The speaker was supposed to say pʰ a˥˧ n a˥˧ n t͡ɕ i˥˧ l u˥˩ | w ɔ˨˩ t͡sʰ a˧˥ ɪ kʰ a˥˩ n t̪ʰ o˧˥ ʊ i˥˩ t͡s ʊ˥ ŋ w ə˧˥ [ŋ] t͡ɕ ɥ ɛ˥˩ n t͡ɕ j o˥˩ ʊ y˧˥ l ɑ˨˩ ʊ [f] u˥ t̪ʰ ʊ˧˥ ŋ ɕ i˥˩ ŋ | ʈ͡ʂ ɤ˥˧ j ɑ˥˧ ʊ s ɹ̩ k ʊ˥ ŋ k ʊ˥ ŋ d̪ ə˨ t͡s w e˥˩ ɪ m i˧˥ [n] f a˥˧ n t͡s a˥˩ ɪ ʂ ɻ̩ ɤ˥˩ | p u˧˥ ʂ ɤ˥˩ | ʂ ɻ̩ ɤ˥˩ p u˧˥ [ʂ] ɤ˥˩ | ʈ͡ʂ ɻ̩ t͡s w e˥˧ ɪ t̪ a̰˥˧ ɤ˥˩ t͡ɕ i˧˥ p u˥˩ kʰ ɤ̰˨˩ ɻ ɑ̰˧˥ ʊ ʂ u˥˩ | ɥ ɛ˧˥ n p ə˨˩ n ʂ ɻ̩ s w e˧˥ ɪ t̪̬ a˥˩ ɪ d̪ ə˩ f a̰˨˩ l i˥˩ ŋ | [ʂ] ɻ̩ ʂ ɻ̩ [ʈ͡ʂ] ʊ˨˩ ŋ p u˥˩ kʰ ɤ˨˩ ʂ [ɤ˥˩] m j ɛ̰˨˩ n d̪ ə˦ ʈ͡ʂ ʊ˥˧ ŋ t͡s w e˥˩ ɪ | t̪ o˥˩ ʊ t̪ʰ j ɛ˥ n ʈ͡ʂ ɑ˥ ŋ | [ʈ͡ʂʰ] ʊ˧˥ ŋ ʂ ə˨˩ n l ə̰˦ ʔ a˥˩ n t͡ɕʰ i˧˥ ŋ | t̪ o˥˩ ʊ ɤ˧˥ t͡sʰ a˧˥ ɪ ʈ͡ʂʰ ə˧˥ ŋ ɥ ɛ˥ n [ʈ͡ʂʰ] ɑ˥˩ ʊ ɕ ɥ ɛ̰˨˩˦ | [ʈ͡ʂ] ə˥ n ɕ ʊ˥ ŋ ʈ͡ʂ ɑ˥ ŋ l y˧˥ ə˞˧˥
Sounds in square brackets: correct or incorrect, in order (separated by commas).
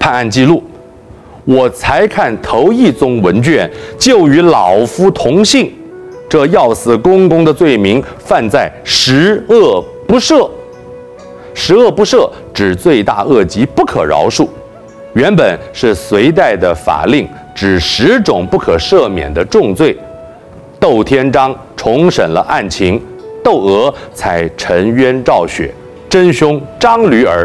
incorrect, correct, incorrect, correct, incorrect, correct, correct, correct, incorrect, correct